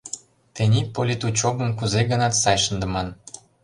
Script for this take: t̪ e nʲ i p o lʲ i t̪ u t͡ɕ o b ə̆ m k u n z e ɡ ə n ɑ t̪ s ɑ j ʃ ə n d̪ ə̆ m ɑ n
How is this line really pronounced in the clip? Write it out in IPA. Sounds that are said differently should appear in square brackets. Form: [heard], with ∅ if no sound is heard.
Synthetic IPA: t̪ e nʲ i p o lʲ i t̪ u t͡ɕ o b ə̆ m k u [∅] z e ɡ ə n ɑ t̪ s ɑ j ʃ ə n d̪ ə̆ m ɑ n